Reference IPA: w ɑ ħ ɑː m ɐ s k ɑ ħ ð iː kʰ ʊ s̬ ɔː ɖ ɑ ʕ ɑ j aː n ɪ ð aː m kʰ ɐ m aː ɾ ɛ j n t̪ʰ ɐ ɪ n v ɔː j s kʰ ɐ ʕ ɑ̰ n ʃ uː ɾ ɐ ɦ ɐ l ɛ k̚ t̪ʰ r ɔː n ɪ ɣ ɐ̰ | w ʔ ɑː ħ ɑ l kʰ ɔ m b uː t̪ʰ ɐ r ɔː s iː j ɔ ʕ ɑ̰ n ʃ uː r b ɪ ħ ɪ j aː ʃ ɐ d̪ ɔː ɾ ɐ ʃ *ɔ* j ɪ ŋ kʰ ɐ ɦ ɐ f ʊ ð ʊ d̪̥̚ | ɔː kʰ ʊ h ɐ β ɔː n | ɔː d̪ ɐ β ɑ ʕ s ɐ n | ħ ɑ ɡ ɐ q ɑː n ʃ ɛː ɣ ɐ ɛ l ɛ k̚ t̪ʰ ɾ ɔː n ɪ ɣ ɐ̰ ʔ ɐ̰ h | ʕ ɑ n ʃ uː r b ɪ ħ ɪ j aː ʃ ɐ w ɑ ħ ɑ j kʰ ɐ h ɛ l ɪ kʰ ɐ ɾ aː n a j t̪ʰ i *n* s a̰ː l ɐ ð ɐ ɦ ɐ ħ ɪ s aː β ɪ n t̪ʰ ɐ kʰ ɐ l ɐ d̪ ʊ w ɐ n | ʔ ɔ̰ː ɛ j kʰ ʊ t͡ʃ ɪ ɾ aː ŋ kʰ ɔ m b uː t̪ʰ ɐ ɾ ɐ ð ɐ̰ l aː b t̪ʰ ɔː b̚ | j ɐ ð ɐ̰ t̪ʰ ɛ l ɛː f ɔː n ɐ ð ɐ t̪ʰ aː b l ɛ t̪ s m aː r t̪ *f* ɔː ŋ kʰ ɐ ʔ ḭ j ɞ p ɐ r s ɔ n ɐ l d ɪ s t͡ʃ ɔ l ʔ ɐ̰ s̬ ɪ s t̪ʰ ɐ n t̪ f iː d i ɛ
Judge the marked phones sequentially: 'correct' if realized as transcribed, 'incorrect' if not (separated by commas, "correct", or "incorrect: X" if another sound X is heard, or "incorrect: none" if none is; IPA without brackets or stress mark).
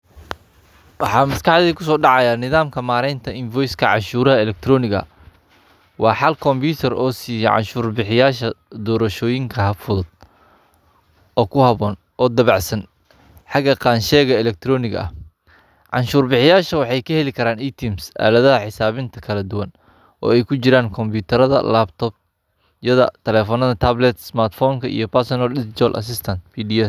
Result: incorrect: ɔː, incorrect: m, correct